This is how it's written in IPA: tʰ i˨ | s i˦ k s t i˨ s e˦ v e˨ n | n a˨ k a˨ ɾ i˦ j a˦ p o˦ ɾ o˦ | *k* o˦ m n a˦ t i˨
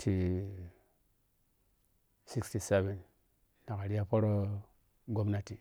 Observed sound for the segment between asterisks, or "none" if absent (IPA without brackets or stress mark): ɡ